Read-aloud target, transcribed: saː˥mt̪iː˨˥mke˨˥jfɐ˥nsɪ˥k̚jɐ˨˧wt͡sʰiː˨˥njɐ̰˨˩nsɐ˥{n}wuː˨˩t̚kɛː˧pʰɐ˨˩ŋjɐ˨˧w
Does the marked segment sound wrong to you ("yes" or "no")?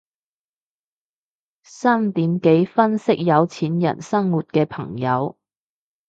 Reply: yes